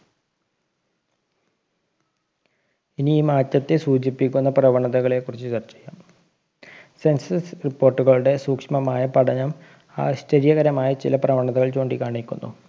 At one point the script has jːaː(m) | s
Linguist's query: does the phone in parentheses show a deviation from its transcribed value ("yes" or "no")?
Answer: no